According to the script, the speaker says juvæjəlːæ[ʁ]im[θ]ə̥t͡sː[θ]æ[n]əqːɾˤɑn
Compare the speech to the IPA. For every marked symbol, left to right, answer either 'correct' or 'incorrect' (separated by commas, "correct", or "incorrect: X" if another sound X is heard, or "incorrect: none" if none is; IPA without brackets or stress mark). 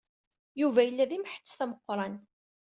incorrect: ð, incorrect: ħ, correct, incorrect: m